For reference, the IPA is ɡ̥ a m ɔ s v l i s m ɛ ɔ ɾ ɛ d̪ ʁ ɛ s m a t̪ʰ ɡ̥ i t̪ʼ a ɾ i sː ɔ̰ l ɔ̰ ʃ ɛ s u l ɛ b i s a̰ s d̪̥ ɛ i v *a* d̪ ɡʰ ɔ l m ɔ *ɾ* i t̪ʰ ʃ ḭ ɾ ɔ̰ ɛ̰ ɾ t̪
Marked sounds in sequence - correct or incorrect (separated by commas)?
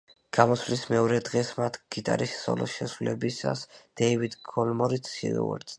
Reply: incorrect, correct